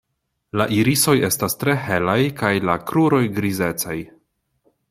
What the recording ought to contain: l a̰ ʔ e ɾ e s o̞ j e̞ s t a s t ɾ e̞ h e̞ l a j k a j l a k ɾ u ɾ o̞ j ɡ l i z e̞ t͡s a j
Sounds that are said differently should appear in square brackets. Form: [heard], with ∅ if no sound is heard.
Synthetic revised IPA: l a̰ ʔ [i] ɾ [i] s o̞ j e̞ s t a s t ɾ e̞ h e̞ l a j k a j l a k ɾ u ɾ o̞ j ɡ [ɾ] i z e̞ t͡s a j